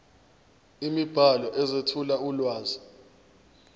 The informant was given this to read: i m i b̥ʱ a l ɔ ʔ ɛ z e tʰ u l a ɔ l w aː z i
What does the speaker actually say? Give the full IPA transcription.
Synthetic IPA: i m i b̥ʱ a l ɔ ʔ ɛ z e tʰ u l a u l w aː z i